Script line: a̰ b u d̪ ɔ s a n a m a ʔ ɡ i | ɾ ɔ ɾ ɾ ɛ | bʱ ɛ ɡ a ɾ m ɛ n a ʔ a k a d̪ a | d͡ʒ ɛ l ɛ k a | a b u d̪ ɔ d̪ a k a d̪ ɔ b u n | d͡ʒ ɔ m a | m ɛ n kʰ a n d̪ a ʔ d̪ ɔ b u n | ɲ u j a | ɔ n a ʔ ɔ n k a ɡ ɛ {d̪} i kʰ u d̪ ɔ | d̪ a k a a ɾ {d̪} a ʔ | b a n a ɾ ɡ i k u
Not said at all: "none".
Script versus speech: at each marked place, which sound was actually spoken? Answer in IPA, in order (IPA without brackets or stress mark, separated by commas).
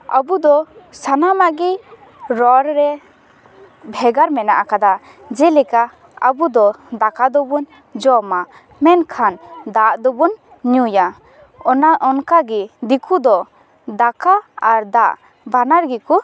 d̪, d̪